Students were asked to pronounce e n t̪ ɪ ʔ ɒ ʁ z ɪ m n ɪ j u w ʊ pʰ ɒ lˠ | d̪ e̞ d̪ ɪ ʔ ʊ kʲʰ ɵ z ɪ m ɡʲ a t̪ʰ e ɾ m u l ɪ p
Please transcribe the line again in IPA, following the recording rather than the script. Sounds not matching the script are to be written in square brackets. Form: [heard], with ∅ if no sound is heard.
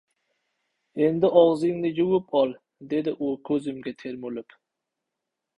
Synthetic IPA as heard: e n [d̪] ɪ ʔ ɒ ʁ z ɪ [ŋ] n ɪ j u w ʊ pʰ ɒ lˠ | d̪ e̞ d̪ ɪ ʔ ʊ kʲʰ ɵ z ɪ m ɡʲ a t̪ʰ e ɾ m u l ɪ p